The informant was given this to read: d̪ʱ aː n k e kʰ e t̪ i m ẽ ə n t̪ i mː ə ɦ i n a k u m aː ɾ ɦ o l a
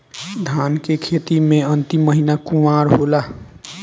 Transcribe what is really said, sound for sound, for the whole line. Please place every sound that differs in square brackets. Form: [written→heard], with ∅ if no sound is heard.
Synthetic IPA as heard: d̪ʱ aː n k e kʰ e t̪ i m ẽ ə n t̪ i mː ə ɦ i n a k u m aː ɾ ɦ o l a